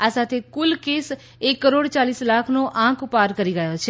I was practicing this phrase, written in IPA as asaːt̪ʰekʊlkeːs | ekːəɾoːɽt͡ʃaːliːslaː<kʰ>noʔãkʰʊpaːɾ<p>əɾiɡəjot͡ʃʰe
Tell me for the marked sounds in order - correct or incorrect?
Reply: correct, incorrect

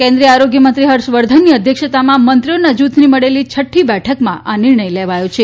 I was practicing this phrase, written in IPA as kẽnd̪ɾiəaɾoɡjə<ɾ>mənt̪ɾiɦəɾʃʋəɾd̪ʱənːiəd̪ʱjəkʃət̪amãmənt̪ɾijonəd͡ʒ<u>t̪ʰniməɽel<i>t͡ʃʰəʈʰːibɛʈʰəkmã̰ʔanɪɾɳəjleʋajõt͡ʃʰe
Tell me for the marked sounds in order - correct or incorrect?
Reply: incorrect, correct, correct

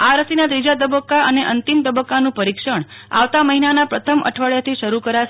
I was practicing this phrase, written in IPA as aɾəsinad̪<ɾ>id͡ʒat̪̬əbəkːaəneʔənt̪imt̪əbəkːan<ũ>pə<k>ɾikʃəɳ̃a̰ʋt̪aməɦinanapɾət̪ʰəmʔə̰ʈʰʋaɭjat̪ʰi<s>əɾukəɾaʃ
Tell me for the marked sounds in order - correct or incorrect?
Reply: correct, correct, incorrect, incorrect

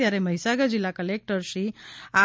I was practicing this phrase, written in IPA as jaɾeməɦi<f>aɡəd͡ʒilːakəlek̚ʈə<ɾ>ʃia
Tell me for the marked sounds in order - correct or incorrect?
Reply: incorrect, correct

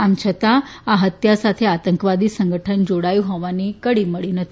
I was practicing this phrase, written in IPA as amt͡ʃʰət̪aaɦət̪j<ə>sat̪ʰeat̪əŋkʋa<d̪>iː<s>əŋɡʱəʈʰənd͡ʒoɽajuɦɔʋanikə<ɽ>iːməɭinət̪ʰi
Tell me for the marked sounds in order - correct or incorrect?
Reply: incorrect, correct, correct, correct

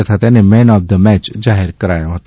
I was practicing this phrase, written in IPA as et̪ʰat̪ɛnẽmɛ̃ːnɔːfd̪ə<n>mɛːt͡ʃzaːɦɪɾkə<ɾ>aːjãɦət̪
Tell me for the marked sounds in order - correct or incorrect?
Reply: incorrect, correct

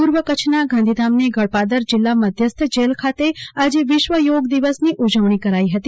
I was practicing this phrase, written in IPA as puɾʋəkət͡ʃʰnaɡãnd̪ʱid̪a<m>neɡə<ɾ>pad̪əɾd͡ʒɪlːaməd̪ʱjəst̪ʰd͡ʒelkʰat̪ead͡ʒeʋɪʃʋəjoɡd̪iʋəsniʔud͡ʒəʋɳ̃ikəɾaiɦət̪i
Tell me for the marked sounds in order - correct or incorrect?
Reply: correct, incorrect

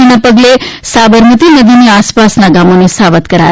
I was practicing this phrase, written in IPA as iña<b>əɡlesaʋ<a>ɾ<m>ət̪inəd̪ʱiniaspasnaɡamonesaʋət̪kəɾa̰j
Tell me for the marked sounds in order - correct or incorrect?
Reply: incorrect, incorrect, correct

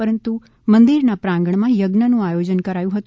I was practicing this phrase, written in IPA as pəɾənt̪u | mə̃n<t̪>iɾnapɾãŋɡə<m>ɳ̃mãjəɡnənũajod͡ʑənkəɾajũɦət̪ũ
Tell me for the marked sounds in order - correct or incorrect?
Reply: incorrect, incorrect

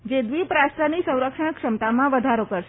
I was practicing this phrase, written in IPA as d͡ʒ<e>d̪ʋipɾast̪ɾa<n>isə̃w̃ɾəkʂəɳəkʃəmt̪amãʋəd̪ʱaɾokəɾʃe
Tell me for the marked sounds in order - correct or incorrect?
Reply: correct, correct

